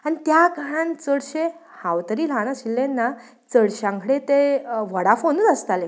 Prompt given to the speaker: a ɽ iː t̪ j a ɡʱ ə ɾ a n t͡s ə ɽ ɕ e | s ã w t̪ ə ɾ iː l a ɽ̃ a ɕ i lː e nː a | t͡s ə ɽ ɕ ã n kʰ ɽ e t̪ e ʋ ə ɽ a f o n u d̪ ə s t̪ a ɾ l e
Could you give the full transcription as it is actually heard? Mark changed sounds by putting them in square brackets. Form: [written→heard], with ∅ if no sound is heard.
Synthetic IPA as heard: a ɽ [iː→i] t̪ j a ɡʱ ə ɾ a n t͡s ə ɽ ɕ e | [s→h] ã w t̪ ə ɾ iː l a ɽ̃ a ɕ i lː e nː a | t͡s ə ɽ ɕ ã [n→ŋ] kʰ ɽ e t̪ e ʋ ə ɽ a f o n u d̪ ə s t̪ a [ɾ→∅] l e